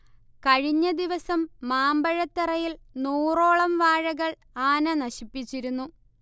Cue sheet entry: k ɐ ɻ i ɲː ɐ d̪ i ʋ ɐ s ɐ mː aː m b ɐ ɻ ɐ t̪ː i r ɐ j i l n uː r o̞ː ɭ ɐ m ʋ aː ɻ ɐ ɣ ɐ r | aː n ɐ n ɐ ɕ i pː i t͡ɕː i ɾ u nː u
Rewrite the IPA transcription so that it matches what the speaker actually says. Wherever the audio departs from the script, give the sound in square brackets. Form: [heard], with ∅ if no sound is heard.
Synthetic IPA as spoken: k ɐ ɻ i ɲː ɐ d̪ i ʋ ɐ s ɐ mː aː m b ɐ ɻ ɐ t̪ː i r ɐ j i l n uː r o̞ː ɭ ɐ m ʋ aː ɻ ɐ ɣ ɐ [ɭ] | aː n ɐ n ɐ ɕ i pː i t͡ɕː i ɾ u nː u